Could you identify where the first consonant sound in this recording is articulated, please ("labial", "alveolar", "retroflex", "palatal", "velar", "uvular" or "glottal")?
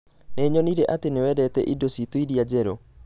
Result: alveolar